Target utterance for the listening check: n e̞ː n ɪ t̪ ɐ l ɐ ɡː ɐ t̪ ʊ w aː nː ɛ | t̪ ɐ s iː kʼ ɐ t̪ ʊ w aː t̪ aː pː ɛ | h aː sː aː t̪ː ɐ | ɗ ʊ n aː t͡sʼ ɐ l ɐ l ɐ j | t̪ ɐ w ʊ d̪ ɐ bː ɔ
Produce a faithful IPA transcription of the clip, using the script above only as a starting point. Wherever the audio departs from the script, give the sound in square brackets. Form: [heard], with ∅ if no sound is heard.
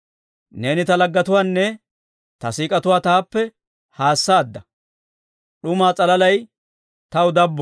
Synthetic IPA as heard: n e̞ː n ɪ t̪ ɐ l ɐ ɡː ɐ t̪ ʊ w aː nː ɛ | t̪ ɐ s iː kʼ ɐ t̪ ʊ w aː t̪ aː pː ɛ | h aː sː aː [d̪ː] ɐ | ɗ ʊ [m] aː t͡sʼ ɐ l ɐ l ɐ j | t̪ ɐ w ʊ d̪ ɐ bː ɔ